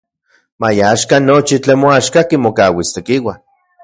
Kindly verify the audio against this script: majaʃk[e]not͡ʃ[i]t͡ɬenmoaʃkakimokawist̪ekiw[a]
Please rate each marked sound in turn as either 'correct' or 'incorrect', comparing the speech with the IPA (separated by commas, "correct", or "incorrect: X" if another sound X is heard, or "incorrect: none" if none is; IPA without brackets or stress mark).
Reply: incorrect: a, correct, correct